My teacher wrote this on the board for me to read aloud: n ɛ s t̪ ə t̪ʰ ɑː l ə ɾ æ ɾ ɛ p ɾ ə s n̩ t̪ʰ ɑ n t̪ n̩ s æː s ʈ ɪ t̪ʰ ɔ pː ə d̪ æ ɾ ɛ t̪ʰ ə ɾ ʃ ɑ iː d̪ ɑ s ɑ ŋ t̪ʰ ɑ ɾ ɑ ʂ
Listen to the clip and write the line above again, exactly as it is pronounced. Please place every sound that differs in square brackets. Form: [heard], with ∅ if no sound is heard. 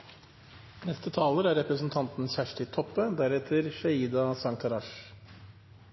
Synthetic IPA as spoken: n ɛ s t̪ ə t̪ʰ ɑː l ə ɾ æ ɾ ɛ p ɾ ə s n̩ t̪ʰ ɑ n t̪ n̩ s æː [ʂ] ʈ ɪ t̪ʰ ɔ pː ə d̪ æ ɾ ɛ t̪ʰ ə ɾ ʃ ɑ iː d̪ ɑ s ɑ ŋ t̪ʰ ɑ ɾ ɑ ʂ